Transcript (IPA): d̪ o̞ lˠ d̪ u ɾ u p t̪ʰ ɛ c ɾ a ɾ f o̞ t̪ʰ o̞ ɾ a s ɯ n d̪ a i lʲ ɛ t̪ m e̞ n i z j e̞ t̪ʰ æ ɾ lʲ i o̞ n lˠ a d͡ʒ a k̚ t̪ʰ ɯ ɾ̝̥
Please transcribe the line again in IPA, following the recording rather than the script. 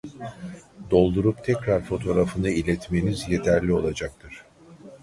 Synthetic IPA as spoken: d̪ o̞ lˠ d̪ u ɾ u p t̪ʰ ɛ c ɾ a ɾ f o̞ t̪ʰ o̞ ɾ a f ɯ n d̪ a i lʲ ɛ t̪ m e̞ n i z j e̞ t̪ʰ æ ɾ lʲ i o̞ lˠ a d͡ʒ a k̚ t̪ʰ ɯ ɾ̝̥